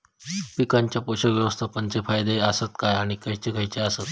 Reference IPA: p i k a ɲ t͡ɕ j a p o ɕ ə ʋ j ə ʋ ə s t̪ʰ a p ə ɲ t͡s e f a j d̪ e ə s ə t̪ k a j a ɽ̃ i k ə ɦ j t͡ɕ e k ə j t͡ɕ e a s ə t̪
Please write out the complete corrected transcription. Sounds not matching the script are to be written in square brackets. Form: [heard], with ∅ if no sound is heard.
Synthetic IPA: p i k a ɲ t͡ɕ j a p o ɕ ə ʋ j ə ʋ ə s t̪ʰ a p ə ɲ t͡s e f a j d̪ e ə s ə t̪ k a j a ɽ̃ i k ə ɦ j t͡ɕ e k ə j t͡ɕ e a s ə t̪